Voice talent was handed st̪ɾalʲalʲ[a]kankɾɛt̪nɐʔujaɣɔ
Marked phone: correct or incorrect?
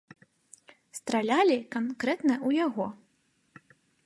incorrect